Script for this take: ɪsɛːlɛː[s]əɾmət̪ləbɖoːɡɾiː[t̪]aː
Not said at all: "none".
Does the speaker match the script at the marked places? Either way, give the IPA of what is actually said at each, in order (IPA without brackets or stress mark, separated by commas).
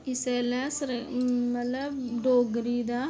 s, d̪